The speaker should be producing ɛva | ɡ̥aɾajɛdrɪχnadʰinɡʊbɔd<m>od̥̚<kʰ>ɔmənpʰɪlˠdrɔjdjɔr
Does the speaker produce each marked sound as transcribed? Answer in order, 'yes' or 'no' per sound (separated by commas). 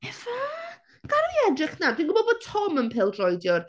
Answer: no, no